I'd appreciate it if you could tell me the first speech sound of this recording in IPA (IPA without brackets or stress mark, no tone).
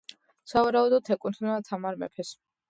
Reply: s